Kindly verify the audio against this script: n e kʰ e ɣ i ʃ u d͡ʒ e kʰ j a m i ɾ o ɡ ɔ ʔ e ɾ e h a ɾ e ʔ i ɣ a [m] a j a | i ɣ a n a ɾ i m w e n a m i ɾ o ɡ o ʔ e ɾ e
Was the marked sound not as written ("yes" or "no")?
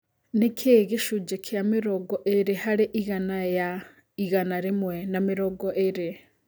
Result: yes